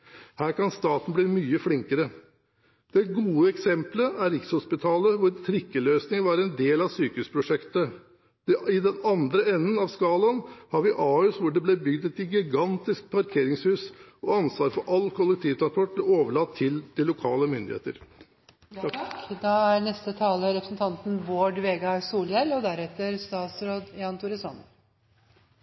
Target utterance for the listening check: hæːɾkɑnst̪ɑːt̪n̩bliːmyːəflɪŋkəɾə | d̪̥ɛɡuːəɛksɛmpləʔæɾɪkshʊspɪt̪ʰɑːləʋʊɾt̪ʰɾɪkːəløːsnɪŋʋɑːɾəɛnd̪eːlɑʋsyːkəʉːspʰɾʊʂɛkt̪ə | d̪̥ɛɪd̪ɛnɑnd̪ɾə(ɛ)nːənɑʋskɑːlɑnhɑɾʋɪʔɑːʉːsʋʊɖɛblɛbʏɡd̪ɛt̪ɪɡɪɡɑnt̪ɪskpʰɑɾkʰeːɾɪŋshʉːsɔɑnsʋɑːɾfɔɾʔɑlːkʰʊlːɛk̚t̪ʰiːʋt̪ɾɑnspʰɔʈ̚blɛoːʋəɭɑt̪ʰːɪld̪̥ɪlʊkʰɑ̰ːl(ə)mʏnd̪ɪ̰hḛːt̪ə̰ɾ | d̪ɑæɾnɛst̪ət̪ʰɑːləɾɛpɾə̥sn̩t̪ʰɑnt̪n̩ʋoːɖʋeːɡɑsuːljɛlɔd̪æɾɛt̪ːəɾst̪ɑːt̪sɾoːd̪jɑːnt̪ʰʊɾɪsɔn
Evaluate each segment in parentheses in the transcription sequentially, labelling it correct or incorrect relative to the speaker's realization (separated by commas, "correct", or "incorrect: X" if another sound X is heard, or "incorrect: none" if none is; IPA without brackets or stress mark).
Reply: correct, correct